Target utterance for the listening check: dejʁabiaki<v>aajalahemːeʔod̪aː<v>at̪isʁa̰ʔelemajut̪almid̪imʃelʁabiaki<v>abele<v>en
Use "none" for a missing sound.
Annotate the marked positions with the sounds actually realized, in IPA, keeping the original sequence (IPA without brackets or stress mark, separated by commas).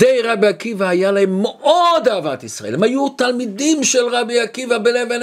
v, v, v, v